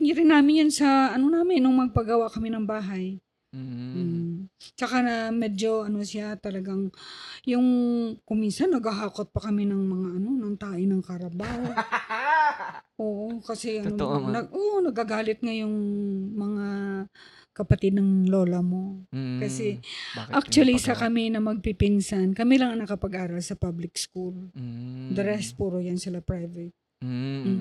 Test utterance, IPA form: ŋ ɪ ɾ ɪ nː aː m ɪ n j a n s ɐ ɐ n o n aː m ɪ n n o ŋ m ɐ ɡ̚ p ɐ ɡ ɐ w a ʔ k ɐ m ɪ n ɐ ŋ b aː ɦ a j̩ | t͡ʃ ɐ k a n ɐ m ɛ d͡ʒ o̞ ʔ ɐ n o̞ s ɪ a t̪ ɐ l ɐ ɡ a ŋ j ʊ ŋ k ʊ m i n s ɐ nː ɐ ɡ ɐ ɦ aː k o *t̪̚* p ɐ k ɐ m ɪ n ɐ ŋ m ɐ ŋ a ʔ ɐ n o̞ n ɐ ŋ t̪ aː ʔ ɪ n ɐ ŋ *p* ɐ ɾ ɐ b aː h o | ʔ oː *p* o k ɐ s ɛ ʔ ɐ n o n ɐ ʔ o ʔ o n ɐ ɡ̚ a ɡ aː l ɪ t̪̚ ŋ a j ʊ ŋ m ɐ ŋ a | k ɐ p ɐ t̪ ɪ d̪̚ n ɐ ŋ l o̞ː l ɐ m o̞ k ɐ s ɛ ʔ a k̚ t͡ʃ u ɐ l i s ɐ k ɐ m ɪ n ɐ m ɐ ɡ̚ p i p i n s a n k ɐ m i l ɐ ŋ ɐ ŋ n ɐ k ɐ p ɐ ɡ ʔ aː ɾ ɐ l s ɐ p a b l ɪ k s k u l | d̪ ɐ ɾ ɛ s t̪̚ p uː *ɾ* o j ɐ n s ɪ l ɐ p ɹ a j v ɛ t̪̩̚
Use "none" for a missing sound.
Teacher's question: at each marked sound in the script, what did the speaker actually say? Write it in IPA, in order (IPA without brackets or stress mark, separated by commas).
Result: t̪̚, k, ʔ, ɾ